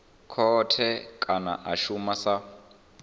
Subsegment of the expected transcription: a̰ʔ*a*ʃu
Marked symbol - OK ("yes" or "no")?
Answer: yes